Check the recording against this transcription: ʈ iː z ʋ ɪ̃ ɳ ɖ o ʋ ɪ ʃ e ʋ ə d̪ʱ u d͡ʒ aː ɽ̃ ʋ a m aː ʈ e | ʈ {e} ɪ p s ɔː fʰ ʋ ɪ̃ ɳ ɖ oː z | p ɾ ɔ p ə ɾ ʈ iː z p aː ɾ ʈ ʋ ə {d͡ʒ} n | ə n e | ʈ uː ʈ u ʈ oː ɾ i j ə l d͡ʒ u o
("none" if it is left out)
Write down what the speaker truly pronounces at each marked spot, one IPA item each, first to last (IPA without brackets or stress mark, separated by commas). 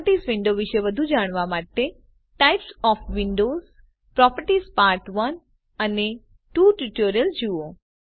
a, none